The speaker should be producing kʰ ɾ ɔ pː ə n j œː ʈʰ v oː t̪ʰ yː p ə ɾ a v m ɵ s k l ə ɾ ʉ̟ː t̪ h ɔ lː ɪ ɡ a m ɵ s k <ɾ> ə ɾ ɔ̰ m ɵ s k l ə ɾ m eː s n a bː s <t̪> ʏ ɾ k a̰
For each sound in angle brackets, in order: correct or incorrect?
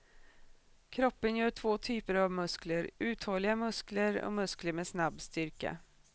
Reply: incorrect: l, correct

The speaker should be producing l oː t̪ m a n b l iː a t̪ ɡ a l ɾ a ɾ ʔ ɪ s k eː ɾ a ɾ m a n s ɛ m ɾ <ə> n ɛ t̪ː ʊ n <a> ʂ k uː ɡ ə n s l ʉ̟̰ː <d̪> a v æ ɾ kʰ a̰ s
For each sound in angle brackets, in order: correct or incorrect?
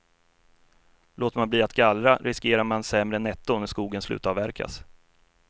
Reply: correct, incorrect: æ, incorrect: t̪

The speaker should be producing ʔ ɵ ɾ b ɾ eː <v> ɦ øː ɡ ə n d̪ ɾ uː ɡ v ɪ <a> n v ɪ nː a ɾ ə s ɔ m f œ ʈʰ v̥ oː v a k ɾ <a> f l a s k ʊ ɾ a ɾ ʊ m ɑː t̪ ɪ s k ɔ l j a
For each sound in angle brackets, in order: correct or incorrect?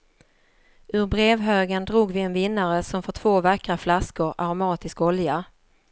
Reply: correct, incorrect: ɛ, correct

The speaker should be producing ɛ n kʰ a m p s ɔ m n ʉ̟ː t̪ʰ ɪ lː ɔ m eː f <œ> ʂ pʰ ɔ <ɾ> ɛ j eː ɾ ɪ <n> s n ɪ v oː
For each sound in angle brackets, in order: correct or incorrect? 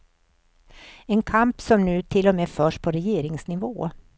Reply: incorrect: œː, correct, incorrect: ŋ

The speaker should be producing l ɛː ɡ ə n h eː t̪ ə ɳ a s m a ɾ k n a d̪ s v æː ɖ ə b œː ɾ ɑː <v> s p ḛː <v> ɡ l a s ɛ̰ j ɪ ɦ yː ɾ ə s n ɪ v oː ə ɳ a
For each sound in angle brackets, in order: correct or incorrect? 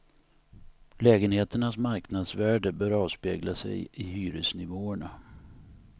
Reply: correct, incorrect: none

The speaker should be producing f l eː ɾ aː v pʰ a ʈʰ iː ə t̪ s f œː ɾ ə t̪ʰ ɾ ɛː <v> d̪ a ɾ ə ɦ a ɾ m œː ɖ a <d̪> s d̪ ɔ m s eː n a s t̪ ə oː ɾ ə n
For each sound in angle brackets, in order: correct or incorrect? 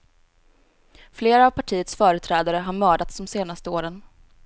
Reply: incorrect: none, incorrect: t̪

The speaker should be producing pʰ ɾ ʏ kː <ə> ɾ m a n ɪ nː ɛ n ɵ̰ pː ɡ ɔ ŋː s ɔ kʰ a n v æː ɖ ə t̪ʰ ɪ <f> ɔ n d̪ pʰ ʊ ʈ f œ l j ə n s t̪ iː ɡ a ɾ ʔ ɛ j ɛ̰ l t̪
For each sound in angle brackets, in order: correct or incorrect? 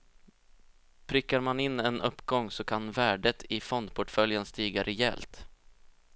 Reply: incorrect: a, correct

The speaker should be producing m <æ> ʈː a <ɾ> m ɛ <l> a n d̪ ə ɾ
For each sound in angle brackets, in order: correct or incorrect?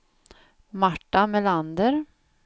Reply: incorrect: a, incorrect: none, correct

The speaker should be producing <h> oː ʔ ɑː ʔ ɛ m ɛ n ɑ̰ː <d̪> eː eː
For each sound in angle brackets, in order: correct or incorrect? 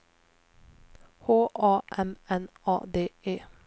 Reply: correct, correct

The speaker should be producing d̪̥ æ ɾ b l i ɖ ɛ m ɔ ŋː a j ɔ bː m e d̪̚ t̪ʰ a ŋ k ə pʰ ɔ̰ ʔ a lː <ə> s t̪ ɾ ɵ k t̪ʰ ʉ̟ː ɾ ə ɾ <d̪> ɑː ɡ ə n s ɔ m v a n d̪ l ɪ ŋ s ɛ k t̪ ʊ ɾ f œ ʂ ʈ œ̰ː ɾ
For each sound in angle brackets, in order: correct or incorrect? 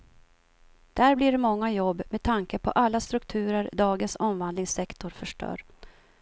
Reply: incorrect: a, correct

